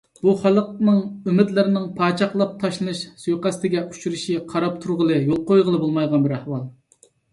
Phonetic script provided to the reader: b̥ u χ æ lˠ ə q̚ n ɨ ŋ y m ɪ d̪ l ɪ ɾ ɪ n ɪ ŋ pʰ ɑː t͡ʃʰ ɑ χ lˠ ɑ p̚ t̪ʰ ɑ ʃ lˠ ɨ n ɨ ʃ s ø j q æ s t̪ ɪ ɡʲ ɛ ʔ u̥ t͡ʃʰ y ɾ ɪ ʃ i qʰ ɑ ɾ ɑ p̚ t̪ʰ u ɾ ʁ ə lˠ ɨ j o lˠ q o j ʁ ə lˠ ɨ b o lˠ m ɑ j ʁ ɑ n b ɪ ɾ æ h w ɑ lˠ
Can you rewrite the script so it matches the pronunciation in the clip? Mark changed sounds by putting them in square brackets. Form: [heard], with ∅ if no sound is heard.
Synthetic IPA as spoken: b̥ u χ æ lˠ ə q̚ n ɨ ŋ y m ɪ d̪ l ɪ ɾ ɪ n ɪ ŋ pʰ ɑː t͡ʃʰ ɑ χ lˠ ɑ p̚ t̪ʰ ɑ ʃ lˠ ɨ n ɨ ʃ s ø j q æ s t̪ ɪ ɡʲ ɛ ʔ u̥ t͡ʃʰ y ɾ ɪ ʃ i qʰ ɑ ɾ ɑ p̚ t̪ʰ u ɾ ʁ ə lˠ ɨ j o lˠ q o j ʁ ə lˠ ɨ b o lˠ m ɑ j ʁ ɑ n b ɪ ɾ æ h w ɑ lˠ

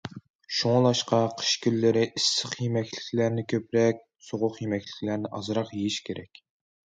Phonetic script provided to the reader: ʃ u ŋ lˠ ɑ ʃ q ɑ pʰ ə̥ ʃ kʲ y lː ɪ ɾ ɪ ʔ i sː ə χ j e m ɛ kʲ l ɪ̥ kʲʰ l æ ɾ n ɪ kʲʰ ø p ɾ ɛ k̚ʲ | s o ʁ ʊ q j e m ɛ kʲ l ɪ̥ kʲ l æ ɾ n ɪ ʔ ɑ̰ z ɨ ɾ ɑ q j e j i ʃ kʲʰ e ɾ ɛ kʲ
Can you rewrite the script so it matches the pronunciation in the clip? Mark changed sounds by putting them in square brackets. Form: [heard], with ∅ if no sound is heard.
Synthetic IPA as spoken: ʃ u ŋ lˠ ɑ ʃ q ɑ [qʰ] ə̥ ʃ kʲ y lː ɪ ɾ ɪ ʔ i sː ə χ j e m ɛ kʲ l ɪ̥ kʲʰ l æ ɾ n ɪ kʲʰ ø p ɾ ɛ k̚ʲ | s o ʁ ʊ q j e m ɛ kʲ l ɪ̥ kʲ l æ ɾ n ɪ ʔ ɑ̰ z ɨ ɾ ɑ q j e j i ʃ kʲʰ e ɾ ɛ kʲ

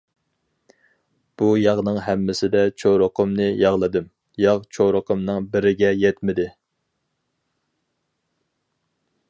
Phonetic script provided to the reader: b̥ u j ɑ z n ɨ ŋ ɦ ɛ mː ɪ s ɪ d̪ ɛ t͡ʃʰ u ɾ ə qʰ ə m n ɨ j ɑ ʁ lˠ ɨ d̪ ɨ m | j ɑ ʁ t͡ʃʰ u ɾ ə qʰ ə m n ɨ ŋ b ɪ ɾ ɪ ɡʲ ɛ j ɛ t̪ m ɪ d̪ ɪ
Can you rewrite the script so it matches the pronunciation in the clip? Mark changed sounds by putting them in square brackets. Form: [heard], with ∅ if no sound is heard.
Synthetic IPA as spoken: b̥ u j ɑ [ʁ] n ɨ ŋ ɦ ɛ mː ɪ s ɪ d̪ ɛ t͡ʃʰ [o] ɾ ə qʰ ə m n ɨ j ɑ ʁ lˠ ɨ d̪ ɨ m | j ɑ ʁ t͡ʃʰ [o] ɾ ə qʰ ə m n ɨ ŋ b ɪ ɾ ɪ ɡʲ ɛ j ɛ t̪ m ɪ d̪ ɪ

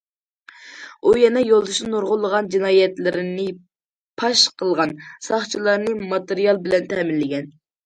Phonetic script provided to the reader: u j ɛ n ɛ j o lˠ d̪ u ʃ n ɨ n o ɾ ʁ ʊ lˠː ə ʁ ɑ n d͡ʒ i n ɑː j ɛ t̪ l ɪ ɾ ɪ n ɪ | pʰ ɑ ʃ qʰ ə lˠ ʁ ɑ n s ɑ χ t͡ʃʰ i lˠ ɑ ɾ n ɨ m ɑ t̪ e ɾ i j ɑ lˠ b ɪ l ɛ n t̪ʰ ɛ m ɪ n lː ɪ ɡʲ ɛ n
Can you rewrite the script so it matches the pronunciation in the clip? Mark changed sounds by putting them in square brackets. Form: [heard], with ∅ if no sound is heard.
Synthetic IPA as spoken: u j ɛ n ɛ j o lˠ d̪ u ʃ n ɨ n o ɾ ʁ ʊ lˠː ə ʁ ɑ n d͡ʒ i n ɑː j ɛ t̪ l ɪ ɾ ɪ n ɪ | pʰ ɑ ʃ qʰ ə lˠ ʁ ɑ n s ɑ χ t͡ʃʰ i lˠ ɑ ɾ n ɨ m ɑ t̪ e ɾ i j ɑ lˠ b ɪ l ɛ n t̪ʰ ɛ m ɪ n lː ɪ ɡʲ ɛ n

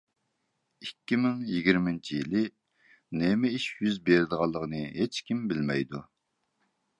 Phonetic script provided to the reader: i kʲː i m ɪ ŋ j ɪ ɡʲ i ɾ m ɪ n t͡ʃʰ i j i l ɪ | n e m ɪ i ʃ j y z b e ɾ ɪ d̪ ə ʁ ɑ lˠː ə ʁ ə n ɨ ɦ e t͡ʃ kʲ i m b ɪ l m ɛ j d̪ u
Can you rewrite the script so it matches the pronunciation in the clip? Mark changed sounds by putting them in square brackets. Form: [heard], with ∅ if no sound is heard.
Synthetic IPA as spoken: i kʲː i m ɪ ŋ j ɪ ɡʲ i ɾ m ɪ n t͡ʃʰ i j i l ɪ | n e m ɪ i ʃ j y z b e ɾ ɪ d̪ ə ʁ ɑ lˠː ə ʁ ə n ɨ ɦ e t͡ʃ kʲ i m b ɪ l m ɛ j d̪ u

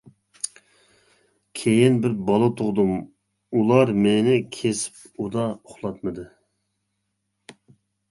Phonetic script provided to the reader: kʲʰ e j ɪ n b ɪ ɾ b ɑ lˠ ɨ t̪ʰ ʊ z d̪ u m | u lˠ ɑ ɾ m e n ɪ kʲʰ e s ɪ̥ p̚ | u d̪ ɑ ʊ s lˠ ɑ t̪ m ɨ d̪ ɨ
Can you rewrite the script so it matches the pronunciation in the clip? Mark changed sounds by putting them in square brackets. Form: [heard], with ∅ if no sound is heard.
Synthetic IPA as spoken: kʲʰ e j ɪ n b ɪ ɾ b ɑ lˠ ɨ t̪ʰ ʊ [ʁ] d̪ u m | u lˠ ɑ ɾ m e n ɪ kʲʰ e s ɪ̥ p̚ | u d̪ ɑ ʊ [χ] lˠ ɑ t̪ m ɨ d̪ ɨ

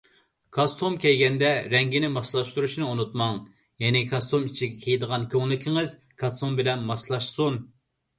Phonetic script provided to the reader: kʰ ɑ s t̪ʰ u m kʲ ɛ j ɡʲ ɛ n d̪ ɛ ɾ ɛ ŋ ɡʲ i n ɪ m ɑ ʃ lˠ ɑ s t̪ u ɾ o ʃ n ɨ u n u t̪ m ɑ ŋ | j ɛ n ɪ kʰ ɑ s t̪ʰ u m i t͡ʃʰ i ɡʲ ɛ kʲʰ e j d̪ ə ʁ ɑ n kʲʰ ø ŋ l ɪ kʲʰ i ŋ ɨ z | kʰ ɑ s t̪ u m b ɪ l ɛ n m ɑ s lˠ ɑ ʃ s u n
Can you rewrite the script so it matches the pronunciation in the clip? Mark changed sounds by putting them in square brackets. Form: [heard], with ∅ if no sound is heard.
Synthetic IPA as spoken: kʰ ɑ s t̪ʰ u m kʲ ɛ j ɡʲ ɛ n d̪ ɛ ɾ ɛ ŋ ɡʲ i n ɪ m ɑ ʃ lˠ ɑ [ʃ] t̪ u ɾ [u] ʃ n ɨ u n u t̪ m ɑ ŋ | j ɛ n ɪ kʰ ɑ s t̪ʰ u m i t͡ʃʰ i ɡʲ ɛ kʲʰ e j d̪ ə ʁ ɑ n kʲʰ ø ŋ l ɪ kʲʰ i ŋ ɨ z | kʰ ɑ s t̪ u m b ɪ l ɛ n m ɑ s lˠ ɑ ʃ s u n

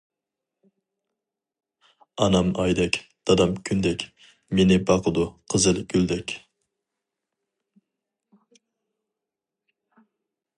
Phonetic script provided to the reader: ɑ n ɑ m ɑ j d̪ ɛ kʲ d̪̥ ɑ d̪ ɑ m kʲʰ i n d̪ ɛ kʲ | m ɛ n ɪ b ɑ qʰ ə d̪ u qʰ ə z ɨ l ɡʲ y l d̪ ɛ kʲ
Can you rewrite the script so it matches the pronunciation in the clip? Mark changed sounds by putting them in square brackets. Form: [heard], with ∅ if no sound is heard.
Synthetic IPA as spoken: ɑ n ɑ m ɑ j d̪ ɛ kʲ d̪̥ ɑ d̪ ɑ m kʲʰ [y] n d̪ ɛ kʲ | m [e] n ɪ b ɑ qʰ ə d̪ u qʰ ə z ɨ l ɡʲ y l d̪ ɛ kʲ

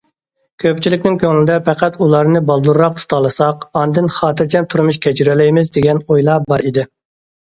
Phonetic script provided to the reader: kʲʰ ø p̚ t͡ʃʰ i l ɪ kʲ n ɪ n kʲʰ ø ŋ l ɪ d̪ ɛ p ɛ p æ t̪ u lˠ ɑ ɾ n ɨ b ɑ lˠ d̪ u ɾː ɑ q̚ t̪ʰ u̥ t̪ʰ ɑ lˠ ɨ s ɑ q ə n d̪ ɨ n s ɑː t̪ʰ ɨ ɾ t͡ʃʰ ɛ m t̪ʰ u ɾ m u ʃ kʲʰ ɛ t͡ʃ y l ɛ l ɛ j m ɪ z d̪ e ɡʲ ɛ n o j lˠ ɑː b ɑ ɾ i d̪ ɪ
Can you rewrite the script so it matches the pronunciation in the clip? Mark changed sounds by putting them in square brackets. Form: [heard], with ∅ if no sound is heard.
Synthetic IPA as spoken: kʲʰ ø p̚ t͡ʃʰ i l ɪ kʲ n ɪ [ŋ] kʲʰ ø ŋ l ɪ d̪ ɛ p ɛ [q] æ t̪ u lˠ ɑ ɾ n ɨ b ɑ lˠ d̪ u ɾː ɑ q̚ t̪ʰ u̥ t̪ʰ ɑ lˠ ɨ s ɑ q [ɑ] n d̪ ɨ n [χ] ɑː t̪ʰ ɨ ɾ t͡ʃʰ ɛ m t̪ʰ u ɾ m u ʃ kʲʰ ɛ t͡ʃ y [ɾ] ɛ l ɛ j m ɪ z d̪ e ɡʲ ɛ n o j lˠ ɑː b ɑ ɾ i d̪ ɪ

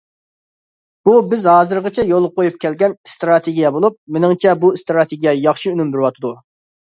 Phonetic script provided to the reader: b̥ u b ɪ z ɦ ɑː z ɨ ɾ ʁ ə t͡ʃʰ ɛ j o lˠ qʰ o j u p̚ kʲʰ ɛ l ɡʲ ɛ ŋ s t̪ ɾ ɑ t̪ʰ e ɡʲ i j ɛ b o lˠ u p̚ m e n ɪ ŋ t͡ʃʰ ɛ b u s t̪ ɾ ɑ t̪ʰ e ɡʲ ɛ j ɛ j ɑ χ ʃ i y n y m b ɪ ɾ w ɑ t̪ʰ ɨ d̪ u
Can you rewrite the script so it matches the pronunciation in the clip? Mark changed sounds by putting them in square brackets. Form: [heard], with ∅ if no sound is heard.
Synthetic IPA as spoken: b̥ u b ɪ z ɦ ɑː z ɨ ɾ ʁ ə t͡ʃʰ ɛ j o lˠ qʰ o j u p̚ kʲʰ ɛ l ɡʲ ɛ [n] s t̪ ɾ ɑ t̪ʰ e ɡʲ i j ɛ b o lˠ u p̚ m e n ɪ ŋ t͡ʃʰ ɛ b u s t̪ ɾ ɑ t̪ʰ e ɡʲ [i] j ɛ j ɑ χ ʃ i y n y m b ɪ ɾ w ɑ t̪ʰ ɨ d̪ u

